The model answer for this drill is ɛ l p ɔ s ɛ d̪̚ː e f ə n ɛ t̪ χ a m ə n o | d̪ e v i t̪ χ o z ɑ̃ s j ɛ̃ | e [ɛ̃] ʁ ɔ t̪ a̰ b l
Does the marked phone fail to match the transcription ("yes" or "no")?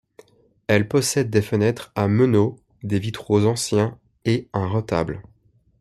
no